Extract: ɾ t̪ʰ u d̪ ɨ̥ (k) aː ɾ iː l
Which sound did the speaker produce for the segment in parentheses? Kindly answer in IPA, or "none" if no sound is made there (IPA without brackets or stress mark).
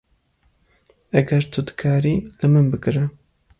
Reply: kʰ